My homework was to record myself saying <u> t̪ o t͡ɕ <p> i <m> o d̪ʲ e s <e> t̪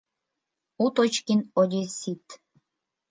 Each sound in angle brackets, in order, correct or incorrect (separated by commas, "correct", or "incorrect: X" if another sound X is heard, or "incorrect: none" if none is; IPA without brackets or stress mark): correct, incorrect: k, incorrect: n, incorrect: i